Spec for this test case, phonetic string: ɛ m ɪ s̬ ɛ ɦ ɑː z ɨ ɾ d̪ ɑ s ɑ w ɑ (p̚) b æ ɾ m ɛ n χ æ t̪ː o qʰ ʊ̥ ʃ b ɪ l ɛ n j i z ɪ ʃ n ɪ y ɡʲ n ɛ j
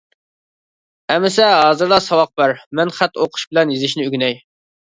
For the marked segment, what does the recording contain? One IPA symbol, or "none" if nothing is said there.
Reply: q̚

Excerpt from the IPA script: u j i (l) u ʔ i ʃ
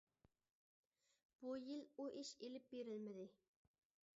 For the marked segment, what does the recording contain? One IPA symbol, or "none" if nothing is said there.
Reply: l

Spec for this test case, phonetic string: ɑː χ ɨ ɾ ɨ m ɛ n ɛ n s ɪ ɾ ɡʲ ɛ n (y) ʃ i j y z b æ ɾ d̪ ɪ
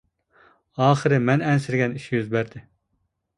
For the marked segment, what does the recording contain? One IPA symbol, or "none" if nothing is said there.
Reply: i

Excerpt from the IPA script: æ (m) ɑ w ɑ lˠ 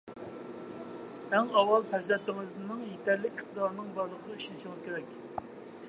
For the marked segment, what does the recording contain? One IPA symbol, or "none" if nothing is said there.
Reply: ŋ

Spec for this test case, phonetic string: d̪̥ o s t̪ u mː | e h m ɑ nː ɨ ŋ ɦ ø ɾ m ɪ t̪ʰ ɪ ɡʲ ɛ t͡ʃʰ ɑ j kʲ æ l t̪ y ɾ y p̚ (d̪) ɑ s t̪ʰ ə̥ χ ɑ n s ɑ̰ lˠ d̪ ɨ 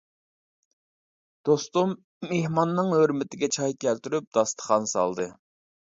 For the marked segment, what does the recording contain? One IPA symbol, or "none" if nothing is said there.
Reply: d̪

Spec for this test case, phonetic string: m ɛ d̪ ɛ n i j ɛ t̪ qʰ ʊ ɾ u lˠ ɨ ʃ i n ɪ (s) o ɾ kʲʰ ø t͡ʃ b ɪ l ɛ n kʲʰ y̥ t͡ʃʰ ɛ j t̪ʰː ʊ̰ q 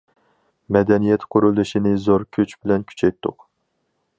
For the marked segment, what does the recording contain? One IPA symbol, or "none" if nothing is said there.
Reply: z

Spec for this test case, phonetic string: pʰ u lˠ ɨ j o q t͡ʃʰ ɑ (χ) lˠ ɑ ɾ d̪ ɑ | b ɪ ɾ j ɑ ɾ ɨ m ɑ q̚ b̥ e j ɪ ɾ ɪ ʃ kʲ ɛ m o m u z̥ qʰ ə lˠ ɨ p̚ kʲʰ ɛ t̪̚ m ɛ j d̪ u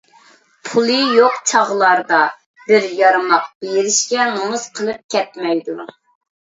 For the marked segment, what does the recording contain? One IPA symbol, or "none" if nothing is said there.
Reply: ʁ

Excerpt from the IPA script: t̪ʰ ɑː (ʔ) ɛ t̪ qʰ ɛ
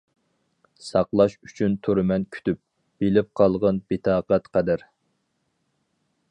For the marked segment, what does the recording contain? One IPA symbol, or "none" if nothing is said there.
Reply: q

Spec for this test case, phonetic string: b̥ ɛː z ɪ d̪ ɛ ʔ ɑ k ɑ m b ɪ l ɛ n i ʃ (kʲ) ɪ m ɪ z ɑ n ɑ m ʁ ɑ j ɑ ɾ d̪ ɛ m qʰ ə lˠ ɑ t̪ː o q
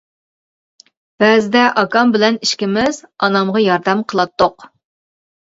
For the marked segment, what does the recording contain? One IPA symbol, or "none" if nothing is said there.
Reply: kʲ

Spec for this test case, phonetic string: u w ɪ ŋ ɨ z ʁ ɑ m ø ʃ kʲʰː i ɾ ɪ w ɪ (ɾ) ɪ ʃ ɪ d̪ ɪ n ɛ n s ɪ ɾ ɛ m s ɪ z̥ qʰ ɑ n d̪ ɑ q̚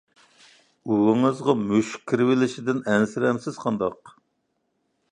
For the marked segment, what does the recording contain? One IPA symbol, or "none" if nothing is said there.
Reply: l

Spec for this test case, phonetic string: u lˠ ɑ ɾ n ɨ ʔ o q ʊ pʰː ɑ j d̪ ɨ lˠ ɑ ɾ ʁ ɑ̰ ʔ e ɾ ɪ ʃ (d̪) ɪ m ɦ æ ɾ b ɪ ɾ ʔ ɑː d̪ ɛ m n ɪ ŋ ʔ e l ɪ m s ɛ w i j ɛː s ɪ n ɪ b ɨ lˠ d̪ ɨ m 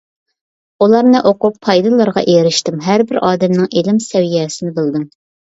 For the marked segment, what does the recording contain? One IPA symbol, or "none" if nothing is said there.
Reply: t̪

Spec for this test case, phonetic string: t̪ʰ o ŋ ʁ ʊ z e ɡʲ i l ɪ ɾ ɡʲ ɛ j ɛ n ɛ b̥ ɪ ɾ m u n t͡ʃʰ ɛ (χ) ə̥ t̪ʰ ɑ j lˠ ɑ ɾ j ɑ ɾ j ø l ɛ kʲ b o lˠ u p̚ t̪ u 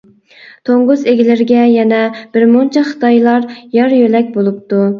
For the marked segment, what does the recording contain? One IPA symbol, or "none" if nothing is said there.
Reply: χ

